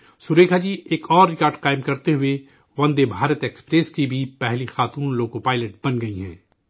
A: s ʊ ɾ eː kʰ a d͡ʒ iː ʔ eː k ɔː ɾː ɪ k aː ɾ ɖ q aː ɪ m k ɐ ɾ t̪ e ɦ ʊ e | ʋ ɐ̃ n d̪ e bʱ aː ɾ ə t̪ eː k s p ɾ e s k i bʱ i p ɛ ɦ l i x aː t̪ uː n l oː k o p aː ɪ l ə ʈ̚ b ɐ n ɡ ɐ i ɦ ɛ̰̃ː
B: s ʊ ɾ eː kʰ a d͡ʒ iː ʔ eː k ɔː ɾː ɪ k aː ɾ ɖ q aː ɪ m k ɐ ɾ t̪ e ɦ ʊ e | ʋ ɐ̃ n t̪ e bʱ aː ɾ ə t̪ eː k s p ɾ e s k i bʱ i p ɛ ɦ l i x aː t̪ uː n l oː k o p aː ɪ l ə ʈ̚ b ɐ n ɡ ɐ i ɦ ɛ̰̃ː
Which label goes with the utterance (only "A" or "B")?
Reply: A